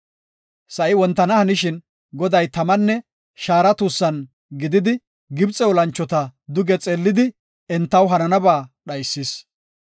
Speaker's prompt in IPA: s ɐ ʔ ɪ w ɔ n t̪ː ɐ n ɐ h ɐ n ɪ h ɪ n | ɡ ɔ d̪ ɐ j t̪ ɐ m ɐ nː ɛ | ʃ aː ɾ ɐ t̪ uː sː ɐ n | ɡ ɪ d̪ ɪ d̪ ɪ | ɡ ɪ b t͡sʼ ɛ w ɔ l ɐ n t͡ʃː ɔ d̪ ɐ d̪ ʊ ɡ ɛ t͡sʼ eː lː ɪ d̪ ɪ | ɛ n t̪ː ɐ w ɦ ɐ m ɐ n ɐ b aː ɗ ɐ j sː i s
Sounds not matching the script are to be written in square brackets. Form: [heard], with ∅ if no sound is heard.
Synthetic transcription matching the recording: s ɐ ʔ ɪ w ɔ n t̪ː ɐ n ɐ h ɐ n ɪ [ʃ] ɪ n | ɡ ɔ d̪ ɐ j t̪ ɐ m ɐ nː ɛ | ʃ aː ɾ ɐ t̪ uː sː ɐ n | ɡ ɪ d̪ ɪ d̪ ɪ | ɡ ɪ b t͡sʼ ɛ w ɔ l ɐ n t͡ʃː ɔ [t̪] ɐ d̪ ʊ ɡ ɛ t͡sʼ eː lː ɪ d̪ ɪ | ɛ n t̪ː ɐ w ɦ ɐ [n] ɐ n ɐ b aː ɗ ɐ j sː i s